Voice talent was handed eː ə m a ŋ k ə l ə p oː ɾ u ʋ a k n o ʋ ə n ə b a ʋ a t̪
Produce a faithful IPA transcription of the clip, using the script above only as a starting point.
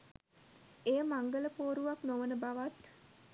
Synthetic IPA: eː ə m a ŋ ɡ ə l ə p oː ɾ u ʋ a k n o ʋ ə n ə b a ʋ a t̪